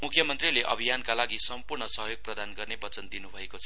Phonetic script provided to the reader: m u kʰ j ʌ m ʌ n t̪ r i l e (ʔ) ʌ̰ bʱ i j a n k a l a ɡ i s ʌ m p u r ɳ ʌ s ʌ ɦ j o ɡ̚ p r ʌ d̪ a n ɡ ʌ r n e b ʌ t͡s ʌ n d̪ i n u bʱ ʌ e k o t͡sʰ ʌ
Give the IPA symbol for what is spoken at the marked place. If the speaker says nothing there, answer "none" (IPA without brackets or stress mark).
ʔ